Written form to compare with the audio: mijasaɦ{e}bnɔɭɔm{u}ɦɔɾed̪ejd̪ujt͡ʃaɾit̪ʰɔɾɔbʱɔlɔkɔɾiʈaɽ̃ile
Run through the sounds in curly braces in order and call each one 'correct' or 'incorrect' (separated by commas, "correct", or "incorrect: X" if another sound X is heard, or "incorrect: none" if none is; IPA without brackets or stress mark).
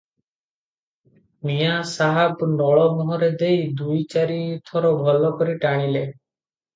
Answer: incorrect: a, incorrect: ɔ